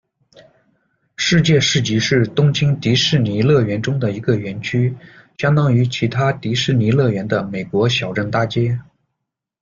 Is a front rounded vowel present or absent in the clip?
present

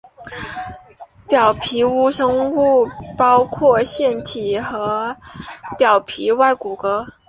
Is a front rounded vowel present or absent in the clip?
absent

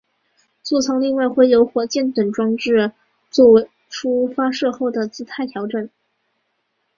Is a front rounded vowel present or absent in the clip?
absent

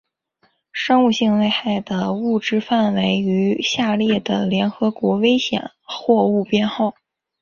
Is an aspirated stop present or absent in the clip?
absent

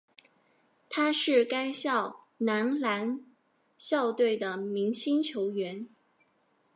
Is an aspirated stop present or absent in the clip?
present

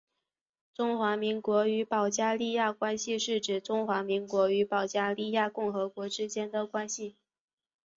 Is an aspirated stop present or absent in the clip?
absent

